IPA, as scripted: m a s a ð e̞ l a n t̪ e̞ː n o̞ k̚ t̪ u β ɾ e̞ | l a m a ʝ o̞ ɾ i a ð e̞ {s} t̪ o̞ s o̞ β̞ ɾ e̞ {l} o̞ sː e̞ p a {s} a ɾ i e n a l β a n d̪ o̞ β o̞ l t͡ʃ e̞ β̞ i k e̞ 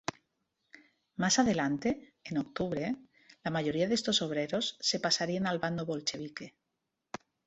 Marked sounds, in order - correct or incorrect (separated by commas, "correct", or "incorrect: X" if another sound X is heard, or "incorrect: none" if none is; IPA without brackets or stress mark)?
correct, incorrect: ɾ, correct